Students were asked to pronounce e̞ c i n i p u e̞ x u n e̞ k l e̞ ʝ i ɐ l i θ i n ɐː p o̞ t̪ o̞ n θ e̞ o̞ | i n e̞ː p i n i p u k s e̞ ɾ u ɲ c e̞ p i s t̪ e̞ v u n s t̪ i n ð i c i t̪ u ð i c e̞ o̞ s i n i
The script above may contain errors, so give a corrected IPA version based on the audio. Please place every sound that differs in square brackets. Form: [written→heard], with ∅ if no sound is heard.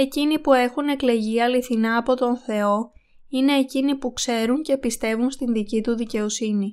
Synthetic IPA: e̞ c i n i p u e̞ x u n e̞ k l e̞ ʝ i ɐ l i θ i n ɐː p o̞ t̪ o̞ n θ e̞ o̞ | i n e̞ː [p→c] i n i p u k s e̞ ɾ u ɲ c e̞ p i s t̪ e̞ v u n s t̪ i n ð i c i t̪ u ð i c e̞ o̞ s i n i